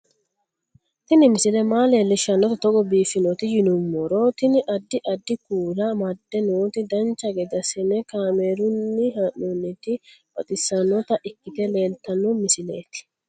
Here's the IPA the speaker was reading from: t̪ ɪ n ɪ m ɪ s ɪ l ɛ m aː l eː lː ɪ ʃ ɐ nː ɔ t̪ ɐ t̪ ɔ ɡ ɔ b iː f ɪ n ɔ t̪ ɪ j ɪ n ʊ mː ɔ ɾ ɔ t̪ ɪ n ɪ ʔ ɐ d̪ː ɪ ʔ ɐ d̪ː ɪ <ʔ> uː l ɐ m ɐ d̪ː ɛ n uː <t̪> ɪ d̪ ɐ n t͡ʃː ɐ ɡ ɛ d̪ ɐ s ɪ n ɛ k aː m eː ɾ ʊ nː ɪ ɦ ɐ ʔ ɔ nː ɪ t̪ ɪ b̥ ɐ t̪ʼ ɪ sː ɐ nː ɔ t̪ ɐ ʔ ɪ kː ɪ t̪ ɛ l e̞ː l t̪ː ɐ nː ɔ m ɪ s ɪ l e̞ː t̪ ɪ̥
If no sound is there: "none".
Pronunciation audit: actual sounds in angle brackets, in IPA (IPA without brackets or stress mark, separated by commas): k, t̪